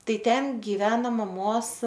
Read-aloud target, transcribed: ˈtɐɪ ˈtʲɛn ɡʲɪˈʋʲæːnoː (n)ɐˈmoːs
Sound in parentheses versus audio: incorrect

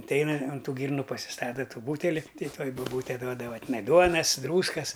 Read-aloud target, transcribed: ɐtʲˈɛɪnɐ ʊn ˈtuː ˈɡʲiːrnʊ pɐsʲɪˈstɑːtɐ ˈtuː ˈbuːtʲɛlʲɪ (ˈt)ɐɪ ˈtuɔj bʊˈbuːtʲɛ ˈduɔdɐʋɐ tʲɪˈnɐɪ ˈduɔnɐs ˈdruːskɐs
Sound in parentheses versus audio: correct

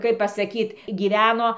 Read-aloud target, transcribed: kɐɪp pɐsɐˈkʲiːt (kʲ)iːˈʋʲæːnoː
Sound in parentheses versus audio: incorrect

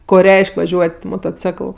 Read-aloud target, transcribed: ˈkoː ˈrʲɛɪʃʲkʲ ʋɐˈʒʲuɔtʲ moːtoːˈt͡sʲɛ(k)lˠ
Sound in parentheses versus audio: correct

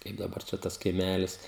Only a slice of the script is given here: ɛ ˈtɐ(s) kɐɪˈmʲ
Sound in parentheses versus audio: correct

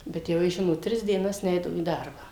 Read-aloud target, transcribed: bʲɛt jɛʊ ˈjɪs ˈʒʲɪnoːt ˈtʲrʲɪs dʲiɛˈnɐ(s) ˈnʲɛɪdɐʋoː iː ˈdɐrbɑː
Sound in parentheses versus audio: correct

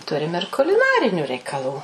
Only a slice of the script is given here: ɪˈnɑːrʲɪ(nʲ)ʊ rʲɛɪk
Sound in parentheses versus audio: correct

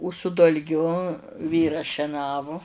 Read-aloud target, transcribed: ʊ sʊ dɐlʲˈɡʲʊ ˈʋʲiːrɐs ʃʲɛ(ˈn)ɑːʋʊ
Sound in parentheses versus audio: correct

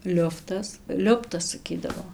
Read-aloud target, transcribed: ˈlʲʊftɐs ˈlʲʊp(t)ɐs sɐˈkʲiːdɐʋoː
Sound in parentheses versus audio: correct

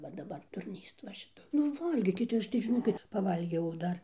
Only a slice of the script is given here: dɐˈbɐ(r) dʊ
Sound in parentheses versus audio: correct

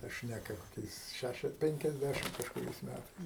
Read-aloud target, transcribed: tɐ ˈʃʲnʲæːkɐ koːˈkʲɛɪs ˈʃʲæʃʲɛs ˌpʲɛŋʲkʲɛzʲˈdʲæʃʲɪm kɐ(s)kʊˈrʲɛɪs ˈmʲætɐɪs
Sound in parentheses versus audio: incorrect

